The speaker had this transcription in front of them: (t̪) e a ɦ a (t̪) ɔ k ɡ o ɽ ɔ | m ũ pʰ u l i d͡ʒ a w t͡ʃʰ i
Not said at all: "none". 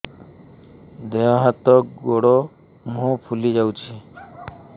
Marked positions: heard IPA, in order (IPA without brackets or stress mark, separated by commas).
d̪, t̪